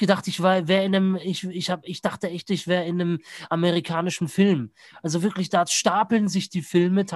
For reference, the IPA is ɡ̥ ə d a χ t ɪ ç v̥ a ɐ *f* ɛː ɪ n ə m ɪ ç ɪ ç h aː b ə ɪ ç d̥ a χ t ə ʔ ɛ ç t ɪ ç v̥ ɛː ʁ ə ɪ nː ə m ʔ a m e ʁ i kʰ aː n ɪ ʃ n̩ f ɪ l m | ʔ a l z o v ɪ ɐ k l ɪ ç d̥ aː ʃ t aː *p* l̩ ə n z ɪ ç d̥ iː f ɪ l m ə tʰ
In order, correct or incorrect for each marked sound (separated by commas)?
incorrect, correct